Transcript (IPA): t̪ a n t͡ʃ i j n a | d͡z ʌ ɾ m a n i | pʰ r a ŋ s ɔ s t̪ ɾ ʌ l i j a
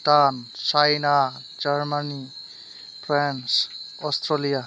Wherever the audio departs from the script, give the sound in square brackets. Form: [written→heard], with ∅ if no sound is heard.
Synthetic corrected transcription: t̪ a n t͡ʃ [i→a] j n a | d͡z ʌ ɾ m a n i | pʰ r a [ŋ→n] s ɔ s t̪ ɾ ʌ l i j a